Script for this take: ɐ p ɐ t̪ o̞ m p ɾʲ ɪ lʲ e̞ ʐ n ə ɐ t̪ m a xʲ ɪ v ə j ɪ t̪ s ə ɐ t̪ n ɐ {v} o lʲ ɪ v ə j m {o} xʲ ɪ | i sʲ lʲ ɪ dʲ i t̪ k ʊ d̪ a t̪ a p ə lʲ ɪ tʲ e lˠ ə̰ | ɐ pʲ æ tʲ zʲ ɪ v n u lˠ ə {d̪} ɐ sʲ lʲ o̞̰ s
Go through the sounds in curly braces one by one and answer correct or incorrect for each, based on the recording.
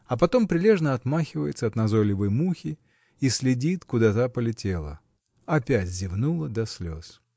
incorrect: z, incorrect: u, correct

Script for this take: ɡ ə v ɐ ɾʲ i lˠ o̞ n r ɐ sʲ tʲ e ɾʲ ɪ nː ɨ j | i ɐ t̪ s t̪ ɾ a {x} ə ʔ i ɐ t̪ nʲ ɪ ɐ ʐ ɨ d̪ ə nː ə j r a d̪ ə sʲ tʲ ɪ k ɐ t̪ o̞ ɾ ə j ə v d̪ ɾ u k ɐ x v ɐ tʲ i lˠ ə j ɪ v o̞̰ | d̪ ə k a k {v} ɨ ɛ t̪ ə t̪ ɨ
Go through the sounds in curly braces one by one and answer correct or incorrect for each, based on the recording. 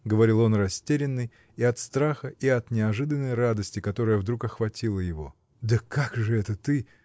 correct, incorrect: ʐ

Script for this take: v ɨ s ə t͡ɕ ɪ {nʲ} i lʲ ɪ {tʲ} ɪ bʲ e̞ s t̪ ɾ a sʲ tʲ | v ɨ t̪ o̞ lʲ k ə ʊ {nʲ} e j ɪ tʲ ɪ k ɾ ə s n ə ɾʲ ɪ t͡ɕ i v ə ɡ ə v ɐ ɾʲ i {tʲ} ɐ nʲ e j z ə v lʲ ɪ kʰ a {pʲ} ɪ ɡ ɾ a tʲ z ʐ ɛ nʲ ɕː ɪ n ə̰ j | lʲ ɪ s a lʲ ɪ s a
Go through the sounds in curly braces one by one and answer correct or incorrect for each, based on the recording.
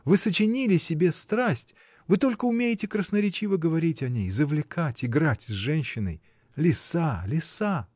correct, incorrect: sʲ, incorrect: mʲ, correct, incorrect: tʲ

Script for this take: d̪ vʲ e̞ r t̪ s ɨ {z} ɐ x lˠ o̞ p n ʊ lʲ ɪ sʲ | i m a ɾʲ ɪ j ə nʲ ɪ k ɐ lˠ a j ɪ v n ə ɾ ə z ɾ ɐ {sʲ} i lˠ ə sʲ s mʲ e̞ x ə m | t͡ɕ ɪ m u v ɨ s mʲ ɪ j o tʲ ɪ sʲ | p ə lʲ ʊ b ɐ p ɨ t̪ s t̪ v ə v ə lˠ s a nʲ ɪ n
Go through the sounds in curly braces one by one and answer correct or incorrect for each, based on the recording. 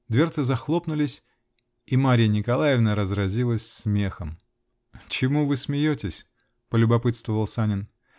correct, incorrect: zʲ

